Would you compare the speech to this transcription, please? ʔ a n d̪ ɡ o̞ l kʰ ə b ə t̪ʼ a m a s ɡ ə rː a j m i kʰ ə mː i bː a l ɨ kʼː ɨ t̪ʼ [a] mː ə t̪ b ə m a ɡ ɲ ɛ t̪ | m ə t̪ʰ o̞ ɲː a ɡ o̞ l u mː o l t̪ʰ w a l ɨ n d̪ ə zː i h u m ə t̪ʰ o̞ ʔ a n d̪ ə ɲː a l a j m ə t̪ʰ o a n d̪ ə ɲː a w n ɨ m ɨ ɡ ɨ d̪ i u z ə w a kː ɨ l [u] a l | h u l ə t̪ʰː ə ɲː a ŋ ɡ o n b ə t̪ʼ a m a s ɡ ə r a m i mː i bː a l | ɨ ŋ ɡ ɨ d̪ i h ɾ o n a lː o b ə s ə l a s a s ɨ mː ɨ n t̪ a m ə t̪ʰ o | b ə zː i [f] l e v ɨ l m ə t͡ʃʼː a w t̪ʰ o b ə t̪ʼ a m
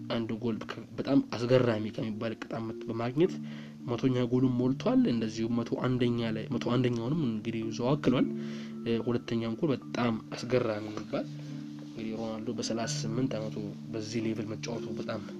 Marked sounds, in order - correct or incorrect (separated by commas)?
correct, incorrect, incorrect